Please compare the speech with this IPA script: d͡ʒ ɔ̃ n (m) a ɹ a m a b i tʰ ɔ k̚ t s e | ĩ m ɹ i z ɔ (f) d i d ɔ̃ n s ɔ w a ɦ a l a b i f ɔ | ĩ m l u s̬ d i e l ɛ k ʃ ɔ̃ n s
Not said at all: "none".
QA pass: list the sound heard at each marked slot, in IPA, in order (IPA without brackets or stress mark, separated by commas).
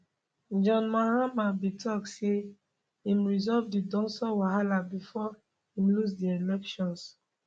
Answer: m, v